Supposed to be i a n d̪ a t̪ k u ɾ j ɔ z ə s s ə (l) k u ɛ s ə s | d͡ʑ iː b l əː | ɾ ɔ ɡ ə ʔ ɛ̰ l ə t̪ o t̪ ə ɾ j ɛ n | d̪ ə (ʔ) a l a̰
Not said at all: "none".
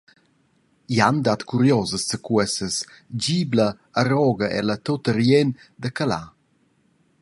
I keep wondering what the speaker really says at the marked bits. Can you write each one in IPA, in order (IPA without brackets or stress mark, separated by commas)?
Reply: none, k